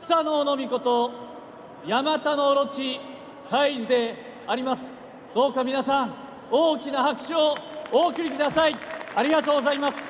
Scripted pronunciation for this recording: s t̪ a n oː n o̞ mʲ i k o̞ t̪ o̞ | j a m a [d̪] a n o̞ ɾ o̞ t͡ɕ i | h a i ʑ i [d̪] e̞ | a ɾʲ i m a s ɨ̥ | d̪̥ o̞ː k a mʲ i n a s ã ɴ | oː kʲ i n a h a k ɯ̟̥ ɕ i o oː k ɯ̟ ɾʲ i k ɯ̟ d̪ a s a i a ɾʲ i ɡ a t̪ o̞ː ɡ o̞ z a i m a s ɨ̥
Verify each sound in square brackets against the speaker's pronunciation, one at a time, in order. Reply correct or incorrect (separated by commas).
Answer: incorrect, correct